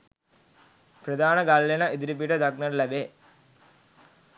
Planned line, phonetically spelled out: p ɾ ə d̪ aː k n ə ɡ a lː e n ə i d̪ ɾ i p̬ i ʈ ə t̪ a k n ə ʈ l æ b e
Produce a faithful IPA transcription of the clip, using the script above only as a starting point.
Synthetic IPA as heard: p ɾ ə d̪ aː n ə ɡ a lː e n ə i d̪ ɾ i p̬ i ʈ ə d̪ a k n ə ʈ l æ b e